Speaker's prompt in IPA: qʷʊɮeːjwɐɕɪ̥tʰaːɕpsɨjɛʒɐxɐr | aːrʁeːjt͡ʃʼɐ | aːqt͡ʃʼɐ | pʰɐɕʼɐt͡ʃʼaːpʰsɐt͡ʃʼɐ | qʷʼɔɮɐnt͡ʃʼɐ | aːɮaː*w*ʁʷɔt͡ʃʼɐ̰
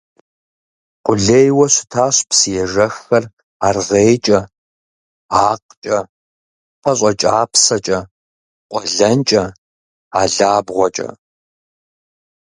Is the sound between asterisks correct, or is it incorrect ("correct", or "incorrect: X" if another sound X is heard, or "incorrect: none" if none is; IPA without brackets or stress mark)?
incorrect: b